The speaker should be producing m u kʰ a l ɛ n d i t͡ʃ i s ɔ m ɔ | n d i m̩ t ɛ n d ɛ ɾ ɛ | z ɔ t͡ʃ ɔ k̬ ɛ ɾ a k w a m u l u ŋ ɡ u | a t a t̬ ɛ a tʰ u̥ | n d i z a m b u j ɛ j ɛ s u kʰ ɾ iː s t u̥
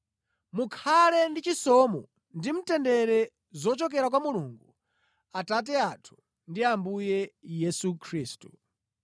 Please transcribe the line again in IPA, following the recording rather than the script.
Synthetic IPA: m u kʰ a l ɛ n d i t͡ʃ i s ɔ m ɔ | n d i m̩ t ɛ n d ɛ ɾ ɛ | z ɔ t͡ʃ ɔ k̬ ɛ ɾ a k w a m u l u ŋ ɡ u | a t a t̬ ɛ a tʰ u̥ | n d i a m b u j ɛ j ɛ s u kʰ ɾ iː s t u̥